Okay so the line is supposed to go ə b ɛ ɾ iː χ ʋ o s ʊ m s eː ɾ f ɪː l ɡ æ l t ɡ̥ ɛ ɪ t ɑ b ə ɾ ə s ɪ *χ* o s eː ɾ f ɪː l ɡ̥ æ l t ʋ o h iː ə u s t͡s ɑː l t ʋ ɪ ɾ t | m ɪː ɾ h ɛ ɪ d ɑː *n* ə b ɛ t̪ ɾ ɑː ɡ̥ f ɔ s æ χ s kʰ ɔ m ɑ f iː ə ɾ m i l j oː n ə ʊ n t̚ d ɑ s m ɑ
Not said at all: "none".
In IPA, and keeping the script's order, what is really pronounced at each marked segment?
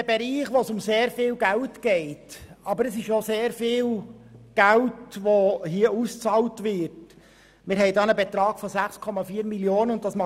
ʃ, n

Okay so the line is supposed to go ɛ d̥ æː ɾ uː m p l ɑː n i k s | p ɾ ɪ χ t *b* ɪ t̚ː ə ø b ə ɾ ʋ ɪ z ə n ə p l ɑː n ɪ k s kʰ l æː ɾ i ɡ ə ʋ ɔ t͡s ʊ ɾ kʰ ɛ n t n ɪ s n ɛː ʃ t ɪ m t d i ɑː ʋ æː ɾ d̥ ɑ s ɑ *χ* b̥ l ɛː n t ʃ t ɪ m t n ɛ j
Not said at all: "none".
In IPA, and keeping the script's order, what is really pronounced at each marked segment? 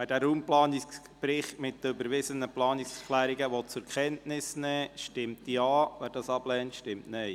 m, none

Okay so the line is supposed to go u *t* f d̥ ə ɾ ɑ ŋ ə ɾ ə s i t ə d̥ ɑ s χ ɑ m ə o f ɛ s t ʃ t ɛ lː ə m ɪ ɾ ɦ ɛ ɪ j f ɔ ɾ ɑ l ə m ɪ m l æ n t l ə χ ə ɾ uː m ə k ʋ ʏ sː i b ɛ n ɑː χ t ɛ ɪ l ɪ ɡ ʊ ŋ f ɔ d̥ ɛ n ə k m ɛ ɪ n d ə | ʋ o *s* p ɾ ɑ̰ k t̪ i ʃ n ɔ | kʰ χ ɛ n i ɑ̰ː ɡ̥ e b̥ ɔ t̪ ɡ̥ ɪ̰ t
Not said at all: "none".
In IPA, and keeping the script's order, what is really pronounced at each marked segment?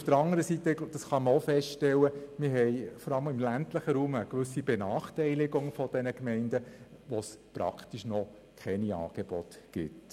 none, s

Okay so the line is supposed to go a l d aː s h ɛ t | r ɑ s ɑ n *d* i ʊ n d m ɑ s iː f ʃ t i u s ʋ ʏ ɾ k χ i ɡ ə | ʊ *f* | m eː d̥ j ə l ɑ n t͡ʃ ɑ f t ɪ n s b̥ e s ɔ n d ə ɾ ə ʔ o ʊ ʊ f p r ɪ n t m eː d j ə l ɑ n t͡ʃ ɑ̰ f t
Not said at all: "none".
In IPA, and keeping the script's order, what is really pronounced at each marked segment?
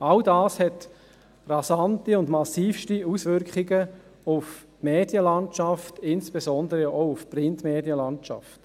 t, f

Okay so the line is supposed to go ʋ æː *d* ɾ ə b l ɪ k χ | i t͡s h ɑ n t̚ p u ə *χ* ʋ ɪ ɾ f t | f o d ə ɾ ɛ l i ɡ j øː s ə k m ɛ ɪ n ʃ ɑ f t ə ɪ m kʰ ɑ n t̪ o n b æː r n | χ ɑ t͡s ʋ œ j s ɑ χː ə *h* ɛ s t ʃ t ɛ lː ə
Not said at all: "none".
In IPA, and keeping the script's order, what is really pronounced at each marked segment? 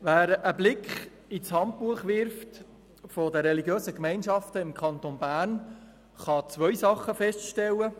none, χ, f

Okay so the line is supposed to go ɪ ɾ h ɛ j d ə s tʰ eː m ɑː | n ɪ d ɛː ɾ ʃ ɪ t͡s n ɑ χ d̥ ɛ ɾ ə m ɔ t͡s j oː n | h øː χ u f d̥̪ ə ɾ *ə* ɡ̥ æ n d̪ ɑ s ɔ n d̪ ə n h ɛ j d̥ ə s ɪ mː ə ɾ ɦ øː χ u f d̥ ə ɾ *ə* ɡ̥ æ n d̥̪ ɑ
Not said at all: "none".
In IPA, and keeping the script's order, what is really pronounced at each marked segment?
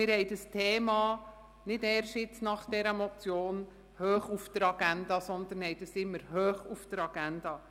ɑ, ɑ

